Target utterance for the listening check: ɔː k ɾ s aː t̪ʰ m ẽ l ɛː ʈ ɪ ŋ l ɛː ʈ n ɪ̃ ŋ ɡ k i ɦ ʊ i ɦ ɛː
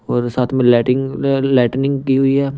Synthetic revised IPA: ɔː ɾ s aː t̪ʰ m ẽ l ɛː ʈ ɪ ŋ l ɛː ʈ n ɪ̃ ŋ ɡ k i ɦ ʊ i ɦ ɛː